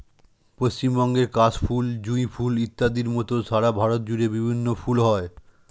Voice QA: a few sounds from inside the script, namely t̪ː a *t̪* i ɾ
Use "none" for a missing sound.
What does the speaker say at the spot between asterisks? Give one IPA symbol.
d̪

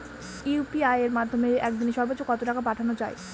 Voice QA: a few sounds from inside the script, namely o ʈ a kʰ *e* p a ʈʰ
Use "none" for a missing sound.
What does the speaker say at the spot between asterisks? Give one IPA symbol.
a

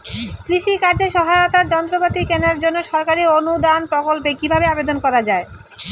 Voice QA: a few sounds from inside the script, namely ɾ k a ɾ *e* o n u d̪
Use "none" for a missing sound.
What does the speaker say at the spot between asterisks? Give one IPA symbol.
i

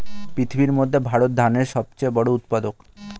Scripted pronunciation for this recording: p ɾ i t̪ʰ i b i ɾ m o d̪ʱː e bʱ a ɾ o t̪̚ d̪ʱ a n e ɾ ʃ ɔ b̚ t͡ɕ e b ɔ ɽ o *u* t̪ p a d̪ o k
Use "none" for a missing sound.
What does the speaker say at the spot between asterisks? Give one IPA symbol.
u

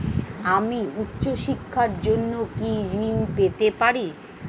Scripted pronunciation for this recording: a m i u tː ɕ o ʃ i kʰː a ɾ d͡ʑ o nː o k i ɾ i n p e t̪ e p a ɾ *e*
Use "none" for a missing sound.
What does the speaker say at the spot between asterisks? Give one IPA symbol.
i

